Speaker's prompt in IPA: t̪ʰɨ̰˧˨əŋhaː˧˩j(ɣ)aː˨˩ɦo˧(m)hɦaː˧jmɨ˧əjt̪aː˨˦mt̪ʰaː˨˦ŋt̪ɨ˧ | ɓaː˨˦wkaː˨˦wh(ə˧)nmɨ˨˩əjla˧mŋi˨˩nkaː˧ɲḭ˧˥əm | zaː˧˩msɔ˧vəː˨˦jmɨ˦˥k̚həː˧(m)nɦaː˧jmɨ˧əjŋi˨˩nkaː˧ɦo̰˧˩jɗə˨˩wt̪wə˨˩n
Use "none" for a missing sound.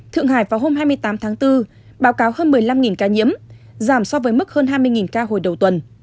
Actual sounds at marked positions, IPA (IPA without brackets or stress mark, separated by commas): v, m, əː˧, none